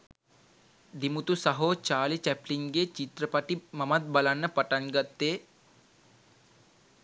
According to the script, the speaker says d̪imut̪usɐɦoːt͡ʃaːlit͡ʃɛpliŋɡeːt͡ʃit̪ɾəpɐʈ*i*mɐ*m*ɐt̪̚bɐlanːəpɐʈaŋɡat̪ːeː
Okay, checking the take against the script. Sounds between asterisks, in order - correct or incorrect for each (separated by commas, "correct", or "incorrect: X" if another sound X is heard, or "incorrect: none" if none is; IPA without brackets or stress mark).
correct, correct